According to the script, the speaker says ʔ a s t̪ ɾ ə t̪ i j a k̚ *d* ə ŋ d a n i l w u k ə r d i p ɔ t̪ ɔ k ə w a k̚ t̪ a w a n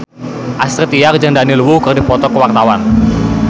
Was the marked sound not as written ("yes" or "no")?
yes